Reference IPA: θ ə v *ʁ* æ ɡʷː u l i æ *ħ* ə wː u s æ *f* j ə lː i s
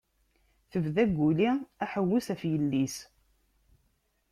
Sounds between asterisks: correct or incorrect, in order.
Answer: incorrect: ð, correct, correct

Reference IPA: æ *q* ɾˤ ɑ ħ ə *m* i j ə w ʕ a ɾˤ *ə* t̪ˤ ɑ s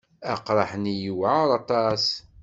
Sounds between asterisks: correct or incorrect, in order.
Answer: correct, incorrect: n, incorrect: ɑ

